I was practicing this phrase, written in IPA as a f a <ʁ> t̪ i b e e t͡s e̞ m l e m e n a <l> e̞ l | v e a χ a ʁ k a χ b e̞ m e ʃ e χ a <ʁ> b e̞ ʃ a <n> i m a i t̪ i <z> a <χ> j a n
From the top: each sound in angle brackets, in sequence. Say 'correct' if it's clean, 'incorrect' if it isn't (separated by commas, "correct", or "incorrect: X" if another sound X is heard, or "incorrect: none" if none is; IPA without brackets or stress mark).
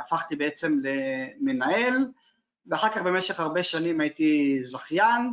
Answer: incorrect: χ, incorrect: none, correct, correct, correct, correct